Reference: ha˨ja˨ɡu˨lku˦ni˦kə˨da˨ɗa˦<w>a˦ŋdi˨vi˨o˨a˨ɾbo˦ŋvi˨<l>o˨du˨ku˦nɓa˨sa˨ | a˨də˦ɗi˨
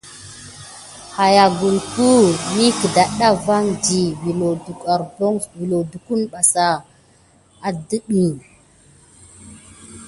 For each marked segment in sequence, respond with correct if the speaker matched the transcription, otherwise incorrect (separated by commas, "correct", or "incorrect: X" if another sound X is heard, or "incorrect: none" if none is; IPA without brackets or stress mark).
incorrect: v, correct